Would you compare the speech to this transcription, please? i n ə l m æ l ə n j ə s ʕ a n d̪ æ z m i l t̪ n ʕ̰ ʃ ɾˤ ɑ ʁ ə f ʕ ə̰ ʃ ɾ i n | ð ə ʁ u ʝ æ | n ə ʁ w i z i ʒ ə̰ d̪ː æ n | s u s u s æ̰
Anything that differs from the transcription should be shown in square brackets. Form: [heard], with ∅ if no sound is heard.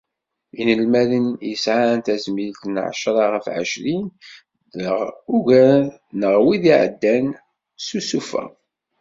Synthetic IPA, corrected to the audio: i n ə l m æ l ə n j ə s ʕ a n [t̪] æ z m i l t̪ n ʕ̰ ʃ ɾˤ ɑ ʁ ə f ʕ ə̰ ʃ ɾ i n | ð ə ʁ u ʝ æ | n ə ʁ w i [ð] i [ʕ] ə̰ d̪ː æ n | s u s u [f] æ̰